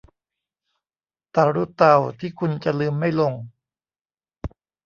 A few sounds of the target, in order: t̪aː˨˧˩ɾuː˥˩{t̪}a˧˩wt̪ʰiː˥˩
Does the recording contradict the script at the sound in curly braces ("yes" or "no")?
no